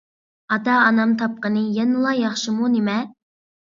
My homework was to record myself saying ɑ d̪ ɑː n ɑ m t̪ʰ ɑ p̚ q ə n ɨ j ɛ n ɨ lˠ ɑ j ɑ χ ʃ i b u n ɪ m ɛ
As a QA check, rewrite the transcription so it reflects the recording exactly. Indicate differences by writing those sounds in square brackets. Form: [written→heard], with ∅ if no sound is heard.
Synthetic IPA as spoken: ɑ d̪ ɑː n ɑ m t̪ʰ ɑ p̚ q ə n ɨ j ɛ n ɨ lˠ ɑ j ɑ χ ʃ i [b→m] u n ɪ m ɛ